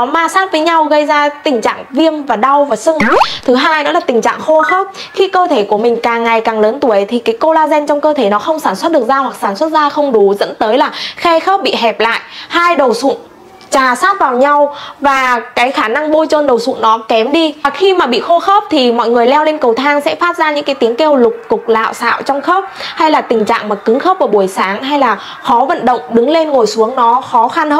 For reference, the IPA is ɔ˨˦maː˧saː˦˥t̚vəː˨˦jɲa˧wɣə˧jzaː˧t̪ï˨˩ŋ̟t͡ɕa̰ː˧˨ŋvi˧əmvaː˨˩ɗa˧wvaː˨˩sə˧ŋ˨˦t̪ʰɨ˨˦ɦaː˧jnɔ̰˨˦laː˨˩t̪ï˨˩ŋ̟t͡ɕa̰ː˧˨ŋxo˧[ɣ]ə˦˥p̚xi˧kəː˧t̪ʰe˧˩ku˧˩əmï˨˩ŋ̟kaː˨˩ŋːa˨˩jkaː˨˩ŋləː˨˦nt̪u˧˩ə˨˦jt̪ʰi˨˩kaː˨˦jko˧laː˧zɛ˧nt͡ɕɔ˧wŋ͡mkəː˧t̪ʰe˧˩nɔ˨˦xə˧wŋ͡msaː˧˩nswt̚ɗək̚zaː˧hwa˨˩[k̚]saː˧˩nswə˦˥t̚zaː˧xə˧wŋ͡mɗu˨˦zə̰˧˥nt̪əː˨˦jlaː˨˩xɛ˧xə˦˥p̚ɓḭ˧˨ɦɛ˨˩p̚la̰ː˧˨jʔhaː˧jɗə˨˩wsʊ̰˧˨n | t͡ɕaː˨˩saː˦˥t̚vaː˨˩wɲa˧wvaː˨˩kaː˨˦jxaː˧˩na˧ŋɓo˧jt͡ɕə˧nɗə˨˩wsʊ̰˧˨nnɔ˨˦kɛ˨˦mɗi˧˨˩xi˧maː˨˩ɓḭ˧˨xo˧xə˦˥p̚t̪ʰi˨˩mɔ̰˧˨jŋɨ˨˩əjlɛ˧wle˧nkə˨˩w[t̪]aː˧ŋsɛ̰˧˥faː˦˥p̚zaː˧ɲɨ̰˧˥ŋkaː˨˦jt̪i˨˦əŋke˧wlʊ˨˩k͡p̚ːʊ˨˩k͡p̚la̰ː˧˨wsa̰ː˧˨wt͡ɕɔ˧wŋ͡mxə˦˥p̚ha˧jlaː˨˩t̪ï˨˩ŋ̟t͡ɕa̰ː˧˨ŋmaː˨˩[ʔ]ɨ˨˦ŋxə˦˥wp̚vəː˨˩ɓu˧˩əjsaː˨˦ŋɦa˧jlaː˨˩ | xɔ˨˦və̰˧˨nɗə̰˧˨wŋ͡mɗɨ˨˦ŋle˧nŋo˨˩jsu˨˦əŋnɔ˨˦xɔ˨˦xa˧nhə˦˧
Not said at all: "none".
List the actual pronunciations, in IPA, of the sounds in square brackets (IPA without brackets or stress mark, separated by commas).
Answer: x, k̚, t̪ʰ, k